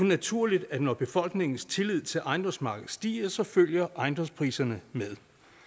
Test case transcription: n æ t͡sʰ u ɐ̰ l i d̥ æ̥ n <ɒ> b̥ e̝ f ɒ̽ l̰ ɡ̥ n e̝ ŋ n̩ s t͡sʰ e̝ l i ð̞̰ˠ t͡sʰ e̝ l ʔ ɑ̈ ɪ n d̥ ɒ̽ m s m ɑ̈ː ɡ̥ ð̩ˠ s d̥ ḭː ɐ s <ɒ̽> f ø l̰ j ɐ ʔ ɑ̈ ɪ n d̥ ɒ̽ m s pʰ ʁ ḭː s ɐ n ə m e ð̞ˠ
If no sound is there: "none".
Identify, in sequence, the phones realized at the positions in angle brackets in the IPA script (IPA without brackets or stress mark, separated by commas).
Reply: ɒ, ɒ̽